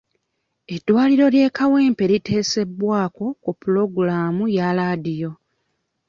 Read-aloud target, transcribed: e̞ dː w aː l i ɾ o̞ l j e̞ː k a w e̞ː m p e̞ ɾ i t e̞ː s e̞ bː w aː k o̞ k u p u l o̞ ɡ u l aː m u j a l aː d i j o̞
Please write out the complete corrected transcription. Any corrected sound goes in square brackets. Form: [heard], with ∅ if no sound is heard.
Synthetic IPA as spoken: e̞ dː w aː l i ɾ o̞ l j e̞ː k a w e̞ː m p e̞ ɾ i t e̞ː s e̞ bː w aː k o̞ k u p u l o̞ ɡ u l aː m u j a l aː d i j o̞